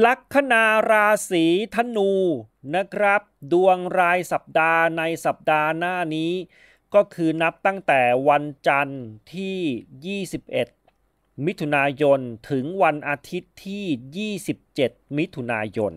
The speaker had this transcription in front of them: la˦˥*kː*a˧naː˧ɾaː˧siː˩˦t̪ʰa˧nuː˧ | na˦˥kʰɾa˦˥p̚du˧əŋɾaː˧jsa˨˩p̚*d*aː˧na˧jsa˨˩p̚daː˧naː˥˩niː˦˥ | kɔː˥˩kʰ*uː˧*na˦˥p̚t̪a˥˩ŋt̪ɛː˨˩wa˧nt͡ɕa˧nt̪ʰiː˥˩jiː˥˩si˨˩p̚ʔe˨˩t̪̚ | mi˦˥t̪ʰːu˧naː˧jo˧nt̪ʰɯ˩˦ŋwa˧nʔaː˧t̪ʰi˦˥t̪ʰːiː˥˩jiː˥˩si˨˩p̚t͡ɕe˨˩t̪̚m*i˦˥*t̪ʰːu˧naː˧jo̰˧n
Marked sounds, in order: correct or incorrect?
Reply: incorrect, correct, incorrect, correct

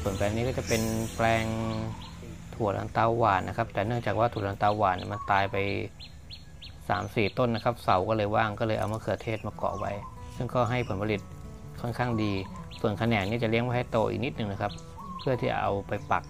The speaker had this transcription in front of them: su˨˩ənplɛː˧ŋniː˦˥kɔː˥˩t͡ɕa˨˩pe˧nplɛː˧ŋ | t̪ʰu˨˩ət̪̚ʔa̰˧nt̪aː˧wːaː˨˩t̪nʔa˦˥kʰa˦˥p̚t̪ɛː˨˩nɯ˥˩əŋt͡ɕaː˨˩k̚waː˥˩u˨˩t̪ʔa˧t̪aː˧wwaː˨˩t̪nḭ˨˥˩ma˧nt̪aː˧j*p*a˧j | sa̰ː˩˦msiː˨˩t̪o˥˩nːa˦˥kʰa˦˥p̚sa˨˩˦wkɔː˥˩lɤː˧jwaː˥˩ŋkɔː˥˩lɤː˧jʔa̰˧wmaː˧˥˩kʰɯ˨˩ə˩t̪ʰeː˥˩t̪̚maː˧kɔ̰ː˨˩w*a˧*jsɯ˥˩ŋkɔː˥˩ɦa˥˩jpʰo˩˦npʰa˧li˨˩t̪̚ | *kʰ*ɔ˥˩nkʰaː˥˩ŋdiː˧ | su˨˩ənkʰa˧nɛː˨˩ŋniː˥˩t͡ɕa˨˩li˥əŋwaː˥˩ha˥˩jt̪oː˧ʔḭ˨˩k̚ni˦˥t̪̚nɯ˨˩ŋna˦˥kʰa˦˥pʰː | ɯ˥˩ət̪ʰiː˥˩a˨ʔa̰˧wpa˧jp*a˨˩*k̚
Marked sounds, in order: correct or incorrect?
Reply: correct, incorrect, correct, correct

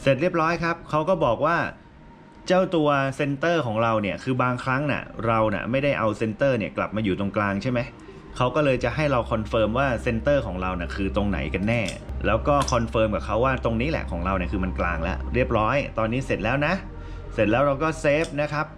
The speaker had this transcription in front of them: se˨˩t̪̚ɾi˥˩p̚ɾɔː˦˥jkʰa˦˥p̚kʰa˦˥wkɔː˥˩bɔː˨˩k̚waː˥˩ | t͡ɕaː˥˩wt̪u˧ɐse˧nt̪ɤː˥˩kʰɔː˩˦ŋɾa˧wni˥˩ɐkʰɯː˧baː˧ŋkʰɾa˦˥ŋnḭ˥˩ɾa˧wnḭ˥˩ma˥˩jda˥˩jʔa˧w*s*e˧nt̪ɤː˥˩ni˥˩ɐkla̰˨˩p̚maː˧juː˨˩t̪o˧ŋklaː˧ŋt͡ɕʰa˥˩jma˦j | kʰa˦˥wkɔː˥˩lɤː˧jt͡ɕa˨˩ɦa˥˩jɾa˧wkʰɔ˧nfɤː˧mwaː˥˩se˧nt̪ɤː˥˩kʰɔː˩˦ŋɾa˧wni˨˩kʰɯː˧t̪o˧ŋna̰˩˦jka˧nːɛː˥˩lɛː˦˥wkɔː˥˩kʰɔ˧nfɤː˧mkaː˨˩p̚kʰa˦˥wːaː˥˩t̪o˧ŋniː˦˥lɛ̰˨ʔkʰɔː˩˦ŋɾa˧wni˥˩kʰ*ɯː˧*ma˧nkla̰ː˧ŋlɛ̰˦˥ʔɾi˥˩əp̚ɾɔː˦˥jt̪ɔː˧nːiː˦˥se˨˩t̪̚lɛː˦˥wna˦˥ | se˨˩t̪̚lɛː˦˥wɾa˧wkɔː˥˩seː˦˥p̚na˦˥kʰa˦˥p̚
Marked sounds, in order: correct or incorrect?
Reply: correct, correct

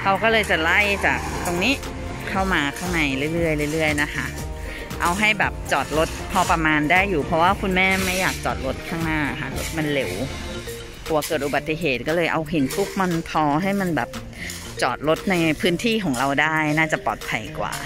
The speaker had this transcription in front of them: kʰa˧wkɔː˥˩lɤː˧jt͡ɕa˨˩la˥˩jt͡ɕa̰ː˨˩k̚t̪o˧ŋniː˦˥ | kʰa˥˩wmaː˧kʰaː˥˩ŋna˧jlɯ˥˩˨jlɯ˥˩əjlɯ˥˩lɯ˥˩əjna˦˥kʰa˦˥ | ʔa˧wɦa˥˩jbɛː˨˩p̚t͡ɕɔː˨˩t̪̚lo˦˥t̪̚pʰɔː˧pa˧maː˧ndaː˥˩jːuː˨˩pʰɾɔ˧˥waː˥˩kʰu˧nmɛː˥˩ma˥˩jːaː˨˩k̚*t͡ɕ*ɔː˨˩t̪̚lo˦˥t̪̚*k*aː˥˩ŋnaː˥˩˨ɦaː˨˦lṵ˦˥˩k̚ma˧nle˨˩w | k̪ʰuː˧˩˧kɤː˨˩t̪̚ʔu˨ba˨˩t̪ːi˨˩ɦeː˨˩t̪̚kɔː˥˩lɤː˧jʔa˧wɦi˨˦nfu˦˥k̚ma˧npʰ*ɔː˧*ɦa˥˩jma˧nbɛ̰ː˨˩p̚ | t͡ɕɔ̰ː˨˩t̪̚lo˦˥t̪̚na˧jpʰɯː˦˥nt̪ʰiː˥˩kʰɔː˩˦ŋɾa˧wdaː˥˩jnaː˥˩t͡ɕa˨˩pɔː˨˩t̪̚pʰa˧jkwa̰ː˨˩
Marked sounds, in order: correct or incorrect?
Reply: correct, incorrect, correct

